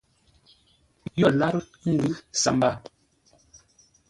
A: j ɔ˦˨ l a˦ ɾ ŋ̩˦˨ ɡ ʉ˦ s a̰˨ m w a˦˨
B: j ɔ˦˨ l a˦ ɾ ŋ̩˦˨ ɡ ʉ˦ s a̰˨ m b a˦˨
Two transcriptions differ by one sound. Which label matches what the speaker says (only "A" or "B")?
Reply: B